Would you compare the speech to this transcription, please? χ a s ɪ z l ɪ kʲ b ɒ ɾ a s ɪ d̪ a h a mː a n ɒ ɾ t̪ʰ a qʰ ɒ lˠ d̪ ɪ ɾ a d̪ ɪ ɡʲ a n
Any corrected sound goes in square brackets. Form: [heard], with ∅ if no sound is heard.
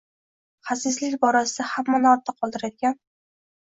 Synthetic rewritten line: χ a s ɪ z l ɪ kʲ b ɒ ɾ a s ɪ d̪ a h a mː a n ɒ ɾ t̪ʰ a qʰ ɒ lˠ d̪ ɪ ɾ a d̪ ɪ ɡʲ a n